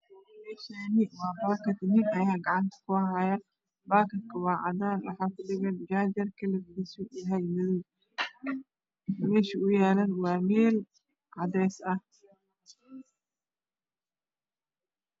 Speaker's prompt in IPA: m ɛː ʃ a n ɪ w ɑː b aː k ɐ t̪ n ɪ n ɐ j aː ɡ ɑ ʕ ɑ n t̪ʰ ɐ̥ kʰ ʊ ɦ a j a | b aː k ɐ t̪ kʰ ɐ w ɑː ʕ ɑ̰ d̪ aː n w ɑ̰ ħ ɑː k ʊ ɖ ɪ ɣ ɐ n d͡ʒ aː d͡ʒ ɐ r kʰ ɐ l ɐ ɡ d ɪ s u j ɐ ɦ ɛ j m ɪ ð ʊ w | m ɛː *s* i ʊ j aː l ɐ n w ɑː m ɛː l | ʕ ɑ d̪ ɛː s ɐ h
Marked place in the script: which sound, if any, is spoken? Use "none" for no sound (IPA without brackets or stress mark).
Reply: ʃ